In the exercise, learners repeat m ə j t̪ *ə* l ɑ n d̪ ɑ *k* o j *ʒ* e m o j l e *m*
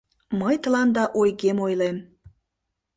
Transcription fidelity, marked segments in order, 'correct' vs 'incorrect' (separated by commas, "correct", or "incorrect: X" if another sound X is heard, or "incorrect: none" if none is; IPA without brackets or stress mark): correct, incorrect: ʔ, incorrect: ɣ, correct